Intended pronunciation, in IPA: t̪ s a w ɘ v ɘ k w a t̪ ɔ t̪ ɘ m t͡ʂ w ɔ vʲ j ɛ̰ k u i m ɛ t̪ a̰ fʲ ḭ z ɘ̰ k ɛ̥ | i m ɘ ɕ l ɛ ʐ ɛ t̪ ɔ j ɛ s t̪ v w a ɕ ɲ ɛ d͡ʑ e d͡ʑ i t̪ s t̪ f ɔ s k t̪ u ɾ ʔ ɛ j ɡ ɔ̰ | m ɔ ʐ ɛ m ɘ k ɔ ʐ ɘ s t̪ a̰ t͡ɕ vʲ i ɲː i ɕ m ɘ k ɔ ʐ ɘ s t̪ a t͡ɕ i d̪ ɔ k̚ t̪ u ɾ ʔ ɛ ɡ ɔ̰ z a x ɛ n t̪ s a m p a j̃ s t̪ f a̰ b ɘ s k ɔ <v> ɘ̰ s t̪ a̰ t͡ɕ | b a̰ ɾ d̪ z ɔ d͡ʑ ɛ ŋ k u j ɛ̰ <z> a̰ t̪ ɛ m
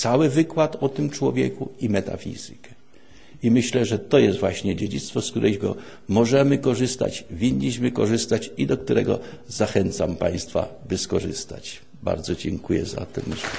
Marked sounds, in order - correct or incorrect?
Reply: incorrect: ʐ, correct

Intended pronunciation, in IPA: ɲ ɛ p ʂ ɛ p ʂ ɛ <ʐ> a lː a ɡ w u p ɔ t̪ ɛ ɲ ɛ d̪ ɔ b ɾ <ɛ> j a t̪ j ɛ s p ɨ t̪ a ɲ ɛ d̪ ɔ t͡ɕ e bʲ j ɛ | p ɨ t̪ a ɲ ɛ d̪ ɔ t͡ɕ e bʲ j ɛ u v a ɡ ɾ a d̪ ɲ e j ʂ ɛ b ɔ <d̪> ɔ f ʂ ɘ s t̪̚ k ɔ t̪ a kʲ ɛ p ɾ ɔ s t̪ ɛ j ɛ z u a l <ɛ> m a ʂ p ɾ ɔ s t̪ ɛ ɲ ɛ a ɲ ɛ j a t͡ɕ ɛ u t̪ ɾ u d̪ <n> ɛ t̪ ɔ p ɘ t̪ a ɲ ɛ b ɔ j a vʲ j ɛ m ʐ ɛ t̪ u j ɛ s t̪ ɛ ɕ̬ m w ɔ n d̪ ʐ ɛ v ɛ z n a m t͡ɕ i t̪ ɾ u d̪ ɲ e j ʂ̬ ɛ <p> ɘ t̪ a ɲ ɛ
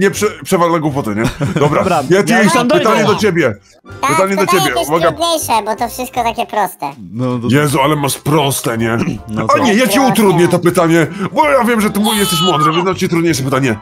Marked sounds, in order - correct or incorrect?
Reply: incorrect: v, incorrect: a, incorrect: t̪, correct, incorrect: ɲ, correct

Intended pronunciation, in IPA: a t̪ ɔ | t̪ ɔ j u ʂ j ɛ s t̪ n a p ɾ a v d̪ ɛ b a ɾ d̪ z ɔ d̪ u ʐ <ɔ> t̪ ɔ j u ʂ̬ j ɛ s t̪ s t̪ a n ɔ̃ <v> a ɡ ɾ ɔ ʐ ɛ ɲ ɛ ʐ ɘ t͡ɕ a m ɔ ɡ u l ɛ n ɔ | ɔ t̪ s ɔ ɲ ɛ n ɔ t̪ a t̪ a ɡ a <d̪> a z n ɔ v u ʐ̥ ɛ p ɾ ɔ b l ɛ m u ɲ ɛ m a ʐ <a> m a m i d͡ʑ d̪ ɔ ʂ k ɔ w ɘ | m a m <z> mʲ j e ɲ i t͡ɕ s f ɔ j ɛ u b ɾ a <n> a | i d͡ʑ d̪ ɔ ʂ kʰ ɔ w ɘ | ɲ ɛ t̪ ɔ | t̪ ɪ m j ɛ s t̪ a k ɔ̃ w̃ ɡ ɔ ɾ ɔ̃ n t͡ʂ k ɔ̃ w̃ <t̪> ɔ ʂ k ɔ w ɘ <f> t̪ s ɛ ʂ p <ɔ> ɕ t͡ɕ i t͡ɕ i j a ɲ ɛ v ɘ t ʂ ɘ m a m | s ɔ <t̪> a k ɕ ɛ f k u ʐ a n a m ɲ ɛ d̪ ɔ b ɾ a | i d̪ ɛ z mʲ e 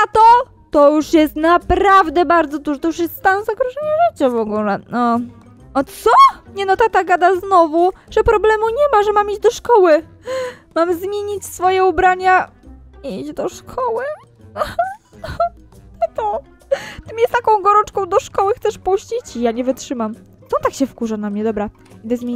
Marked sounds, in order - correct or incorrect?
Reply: correct, incorrect: z, correct, incorrect: ɛ, correct, incorrect: ɲ, incorrect: d̪, incorrect: x, incorrect: u, correct

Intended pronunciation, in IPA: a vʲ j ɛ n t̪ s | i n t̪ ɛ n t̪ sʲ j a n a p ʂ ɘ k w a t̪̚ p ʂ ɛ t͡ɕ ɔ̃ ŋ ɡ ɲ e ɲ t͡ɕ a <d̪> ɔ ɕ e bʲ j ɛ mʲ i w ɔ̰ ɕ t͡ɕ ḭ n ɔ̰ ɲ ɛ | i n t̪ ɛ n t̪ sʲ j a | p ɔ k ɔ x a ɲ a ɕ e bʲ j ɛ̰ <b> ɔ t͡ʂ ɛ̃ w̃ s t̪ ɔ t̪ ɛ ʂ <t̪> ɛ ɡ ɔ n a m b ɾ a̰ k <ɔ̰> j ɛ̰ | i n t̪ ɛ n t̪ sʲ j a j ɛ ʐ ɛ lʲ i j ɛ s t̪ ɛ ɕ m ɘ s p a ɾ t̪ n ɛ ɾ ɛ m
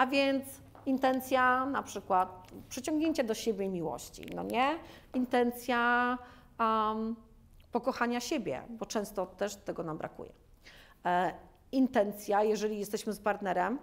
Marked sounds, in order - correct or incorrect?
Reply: correct, correct, correct, incorrect: ṵ

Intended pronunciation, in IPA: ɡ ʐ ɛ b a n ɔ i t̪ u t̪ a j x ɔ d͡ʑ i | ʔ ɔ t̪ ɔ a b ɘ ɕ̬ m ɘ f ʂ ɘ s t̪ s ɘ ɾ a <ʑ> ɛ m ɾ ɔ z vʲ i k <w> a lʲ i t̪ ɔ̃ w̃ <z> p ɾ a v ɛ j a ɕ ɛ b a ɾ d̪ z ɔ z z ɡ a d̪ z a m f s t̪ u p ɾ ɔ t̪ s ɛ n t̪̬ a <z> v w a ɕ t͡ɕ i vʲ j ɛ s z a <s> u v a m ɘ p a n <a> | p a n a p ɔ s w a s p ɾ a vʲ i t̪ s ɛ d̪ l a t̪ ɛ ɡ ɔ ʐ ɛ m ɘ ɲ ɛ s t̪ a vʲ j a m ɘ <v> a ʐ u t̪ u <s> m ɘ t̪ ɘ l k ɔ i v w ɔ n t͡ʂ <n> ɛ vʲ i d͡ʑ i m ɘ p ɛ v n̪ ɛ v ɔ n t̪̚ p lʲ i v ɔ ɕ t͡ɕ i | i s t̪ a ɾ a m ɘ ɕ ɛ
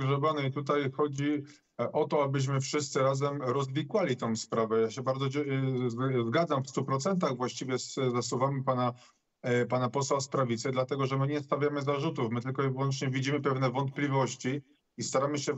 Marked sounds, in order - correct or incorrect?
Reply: incorrect: z, correct, incorrect: s, incorrect: ɣ, correct, correct, incorrect: z, incorrect: f, incorrect: ɲ

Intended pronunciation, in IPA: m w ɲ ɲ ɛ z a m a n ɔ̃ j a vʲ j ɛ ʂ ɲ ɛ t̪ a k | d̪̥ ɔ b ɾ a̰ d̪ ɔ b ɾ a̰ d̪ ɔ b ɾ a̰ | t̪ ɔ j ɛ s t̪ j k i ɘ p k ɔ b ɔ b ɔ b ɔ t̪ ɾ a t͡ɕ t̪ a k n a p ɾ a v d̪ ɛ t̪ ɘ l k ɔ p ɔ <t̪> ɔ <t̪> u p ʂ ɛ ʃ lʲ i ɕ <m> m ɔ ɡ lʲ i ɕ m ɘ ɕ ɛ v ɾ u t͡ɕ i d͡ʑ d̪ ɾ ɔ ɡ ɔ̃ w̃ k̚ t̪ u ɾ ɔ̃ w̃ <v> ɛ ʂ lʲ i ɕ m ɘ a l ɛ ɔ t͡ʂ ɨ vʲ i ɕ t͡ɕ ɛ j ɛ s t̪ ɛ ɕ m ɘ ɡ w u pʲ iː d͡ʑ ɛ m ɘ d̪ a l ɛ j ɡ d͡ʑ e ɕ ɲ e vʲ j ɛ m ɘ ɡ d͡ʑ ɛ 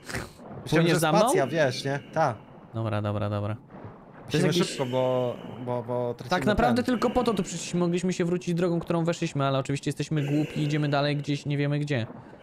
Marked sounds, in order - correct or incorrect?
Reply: correct, correct, correct, correct

